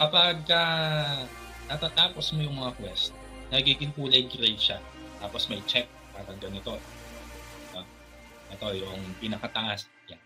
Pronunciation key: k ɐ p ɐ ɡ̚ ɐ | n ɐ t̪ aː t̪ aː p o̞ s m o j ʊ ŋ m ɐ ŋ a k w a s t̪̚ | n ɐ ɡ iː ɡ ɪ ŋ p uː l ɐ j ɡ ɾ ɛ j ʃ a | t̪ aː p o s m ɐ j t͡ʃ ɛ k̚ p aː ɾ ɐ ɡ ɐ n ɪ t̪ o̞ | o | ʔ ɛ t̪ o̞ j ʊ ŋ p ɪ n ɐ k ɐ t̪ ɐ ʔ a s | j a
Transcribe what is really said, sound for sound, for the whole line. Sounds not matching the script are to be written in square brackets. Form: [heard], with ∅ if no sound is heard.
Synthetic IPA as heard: k ɐ p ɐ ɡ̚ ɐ | n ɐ t̪ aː t̪ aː p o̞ s m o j ʊ ŋ m ɐ ŋ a k w [ɛ] s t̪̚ | n ɐ ɡ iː ɡ ɪ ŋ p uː l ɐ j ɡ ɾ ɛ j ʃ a | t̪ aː p o s m ɐ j t͡ʃ ɛ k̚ p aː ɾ ɐ ɡ ɐ n ɪ t̪ o̞ | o | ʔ ɛ t̪ o̞ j ʊ ŋ p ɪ n ɐ k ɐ t̪ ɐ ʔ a s | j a